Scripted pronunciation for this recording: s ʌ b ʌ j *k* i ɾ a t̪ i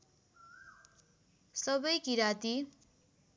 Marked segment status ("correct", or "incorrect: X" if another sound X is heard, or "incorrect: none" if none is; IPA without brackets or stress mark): correct